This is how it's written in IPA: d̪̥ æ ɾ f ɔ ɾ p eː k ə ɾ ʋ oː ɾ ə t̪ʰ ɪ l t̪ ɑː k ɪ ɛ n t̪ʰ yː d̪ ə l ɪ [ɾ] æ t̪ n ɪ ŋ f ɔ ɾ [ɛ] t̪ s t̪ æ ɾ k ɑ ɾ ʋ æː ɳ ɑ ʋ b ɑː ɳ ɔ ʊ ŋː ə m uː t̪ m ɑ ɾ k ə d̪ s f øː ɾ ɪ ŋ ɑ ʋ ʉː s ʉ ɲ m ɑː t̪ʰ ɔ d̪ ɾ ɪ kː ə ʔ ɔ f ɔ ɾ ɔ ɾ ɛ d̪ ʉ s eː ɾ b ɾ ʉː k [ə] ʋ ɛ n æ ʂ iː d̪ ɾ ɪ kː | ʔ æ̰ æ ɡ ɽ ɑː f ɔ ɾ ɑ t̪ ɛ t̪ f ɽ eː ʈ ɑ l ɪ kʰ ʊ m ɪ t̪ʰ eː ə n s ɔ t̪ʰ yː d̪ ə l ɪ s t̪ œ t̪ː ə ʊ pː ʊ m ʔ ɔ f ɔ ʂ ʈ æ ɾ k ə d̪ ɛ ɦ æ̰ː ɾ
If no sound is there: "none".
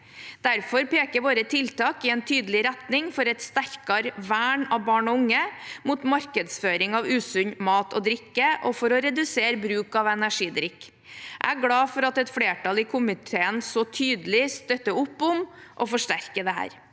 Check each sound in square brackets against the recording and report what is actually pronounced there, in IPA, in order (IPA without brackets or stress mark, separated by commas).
ɾ, ɛ, ɑ